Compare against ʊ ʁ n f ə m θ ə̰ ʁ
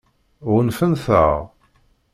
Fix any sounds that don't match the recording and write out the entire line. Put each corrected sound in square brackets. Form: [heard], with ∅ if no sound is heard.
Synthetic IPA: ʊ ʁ n f ə [n] θ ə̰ ʁ